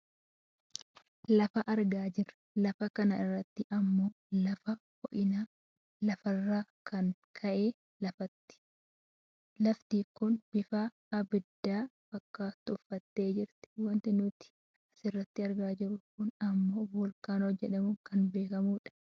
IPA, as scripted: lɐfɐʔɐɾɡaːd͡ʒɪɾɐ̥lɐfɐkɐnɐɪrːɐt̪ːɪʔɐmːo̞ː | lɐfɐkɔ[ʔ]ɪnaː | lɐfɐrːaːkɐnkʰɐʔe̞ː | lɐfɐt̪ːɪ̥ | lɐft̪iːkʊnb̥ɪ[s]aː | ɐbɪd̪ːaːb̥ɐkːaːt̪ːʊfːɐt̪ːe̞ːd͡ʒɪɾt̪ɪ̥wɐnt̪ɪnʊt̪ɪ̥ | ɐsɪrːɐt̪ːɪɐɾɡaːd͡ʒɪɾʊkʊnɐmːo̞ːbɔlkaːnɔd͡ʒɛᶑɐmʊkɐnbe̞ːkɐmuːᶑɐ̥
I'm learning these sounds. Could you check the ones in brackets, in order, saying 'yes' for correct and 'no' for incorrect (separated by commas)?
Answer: yes, no